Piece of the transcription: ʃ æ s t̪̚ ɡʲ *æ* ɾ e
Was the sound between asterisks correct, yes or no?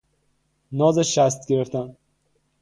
no